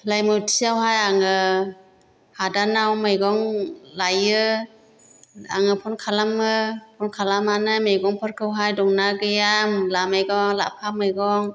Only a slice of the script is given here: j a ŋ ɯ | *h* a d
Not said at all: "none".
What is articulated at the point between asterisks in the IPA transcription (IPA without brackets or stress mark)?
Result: h